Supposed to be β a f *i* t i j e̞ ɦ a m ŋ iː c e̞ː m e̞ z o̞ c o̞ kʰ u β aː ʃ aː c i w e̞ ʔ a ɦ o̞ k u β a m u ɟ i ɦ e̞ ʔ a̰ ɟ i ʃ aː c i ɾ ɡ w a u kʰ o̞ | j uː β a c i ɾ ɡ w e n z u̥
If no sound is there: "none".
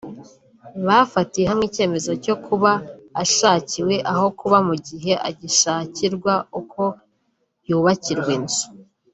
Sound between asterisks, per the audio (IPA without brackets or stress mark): a